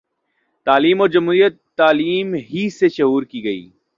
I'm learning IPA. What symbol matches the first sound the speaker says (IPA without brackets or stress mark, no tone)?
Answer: t̪